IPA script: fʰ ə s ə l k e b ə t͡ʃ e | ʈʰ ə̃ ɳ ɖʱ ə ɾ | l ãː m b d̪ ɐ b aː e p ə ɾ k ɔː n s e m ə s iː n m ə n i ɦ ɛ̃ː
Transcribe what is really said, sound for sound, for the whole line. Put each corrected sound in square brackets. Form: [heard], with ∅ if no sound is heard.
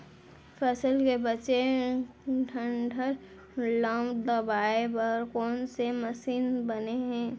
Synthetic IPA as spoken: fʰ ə s ə l k e b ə t͡ʃ e | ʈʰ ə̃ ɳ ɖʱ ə ɾ | l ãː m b d̪ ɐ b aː e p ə ɾ k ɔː n s e m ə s iː n [b] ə n [e] ɦ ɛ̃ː